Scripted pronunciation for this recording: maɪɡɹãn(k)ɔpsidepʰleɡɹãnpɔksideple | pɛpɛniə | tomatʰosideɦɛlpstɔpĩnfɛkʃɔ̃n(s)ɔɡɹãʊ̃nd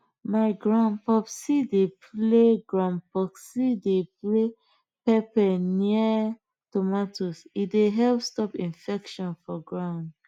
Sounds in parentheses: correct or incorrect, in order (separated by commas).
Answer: incorrect, incorrect